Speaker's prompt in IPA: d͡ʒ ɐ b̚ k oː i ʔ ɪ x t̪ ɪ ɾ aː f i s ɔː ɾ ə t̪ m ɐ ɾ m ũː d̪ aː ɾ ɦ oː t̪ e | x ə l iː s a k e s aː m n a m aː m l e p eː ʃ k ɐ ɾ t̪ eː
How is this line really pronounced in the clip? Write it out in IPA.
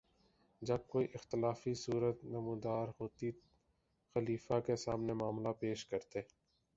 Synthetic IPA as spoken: d͡ʒ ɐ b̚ k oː i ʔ ɪ x t̪ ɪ l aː f i s uː ɾ ə t̪ n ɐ m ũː d̪ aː ɾ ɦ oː t̪ i | x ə l iː f a k e s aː m n e m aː m l a p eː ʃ k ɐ ɾ t̪ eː